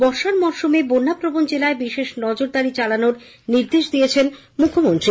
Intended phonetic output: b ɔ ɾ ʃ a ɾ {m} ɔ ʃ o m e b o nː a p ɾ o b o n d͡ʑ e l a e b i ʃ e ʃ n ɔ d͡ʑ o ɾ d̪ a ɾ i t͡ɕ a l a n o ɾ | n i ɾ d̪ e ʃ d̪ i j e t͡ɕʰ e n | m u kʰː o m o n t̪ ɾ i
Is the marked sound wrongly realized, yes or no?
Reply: no